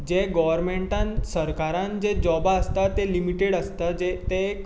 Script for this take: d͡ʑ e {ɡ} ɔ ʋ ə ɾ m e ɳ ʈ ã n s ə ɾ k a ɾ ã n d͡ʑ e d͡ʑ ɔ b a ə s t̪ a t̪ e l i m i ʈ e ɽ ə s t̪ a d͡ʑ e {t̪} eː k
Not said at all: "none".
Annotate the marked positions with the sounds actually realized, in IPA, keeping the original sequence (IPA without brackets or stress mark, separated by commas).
ɡ, t̪